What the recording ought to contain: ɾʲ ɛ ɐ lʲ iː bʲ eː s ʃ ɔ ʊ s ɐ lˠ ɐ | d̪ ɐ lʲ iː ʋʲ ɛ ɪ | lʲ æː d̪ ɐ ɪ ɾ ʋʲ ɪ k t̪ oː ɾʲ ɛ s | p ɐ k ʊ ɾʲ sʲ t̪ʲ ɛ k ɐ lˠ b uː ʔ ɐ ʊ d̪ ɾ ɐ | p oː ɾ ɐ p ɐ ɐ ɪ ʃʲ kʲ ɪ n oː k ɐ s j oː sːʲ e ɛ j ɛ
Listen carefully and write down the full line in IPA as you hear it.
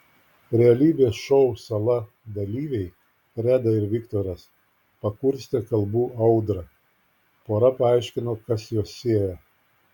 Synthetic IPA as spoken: ɾʲ ɛ ɐ lʲ iː bʲ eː s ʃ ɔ ʊ s ɐ lˠ ɐ | d̪ ɐ lʲ iː ʋʲ ɛ ɪ | ɾʲ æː d̪ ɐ ɪ ɾ ʋʲ ɪ k t̪ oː ɾʲ ɛ s | p ɐ k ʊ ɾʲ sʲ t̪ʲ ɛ k ɐ lˠ b uː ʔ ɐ ʊ d̪ ɾ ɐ | p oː ɾ ɐ p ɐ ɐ ɪ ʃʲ kʲ ɪ n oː k ɐ s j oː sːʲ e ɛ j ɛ

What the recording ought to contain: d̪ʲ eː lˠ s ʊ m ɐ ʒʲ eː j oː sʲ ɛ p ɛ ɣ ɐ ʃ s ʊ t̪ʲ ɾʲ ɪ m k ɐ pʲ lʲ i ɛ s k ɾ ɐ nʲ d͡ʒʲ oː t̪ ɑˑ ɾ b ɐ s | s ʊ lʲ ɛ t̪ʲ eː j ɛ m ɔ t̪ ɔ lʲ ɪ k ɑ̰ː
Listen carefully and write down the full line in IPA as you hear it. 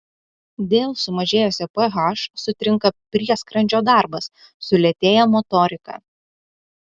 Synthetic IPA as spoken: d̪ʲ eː lˠ s ʊ m ɐ ʒʲ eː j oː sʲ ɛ p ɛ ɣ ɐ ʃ s ʊ t̪ʲ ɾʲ ɪ ŋ k ɐ pʲ ɾʲ i ɛ s k ɾ ɐ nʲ d͡ʒʲ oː d̪ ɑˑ ɾ b ɐ s | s ʊ lʲ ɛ t̪ʲ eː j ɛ m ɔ t̪ ɔ ɾʲ ɪ k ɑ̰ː

